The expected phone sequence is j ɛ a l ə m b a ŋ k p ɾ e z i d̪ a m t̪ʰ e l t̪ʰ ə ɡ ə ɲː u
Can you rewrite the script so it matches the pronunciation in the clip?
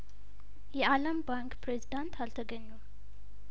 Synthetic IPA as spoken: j ɛ a l ə m b a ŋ k p ɾ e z i d̪ a n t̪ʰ a l t̪ʰ ə ɡ ə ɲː u